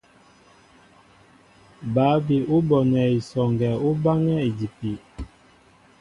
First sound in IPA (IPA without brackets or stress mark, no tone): b